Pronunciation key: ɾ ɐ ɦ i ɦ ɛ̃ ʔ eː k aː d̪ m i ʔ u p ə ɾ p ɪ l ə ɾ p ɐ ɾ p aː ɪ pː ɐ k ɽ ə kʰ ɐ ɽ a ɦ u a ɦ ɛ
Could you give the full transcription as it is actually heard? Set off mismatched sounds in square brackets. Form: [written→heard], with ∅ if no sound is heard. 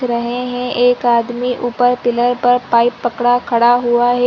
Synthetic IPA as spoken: ɾ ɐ ɦ [i→e] ɦ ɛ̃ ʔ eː k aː d̪ m i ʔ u p ə ɾ p ɪ l ə ɾ p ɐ ɾ p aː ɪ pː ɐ k ɽ [ə→a] kʰ ɐ ɽ a ɦ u a ɦ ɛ